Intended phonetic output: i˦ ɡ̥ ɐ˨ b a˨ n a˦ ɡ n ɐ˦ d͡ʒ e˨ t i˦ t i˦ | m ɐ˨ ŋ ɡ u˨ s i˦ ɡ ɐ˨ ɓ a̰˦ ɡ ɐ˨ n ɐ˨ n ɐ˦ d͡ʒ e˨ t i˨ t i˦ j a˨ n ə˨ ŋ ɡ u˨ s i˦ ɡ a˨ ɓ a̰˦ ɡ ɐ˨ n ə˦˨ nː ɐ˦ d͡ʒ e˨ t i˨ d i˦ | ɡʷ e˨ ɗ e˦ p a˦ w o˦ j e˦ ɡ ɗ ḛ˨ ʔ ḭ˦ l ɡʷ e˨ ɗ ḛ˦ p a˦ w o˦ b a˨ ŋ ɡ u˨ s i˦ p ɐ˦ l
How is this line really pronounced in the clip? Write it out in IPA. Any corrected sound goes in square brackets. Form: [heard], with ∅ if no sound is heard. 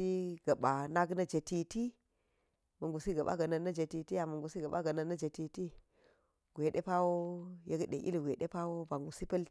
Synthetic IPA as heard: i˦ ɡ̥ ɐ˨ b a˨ n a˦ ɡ n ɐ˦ d͡ʒ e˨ t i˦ t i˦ | m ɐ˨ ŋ ɡ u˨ s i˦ ɡ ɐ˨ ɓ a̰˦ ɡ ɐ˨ n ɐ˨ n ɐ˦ d͡ʒ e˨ t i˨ t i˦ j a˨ [m] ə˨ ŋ ɡ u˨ s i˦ ɡ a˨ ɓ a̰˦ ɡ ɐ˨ n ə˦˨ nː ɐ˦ d͡ʒ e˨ t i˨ [t] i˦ | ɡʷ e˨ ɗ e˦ p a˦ w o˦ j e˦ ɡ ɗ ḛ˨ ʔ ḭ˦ l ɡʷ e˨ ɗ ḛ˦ p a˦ w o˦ b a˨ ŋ ɡ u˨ s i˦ p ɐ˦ l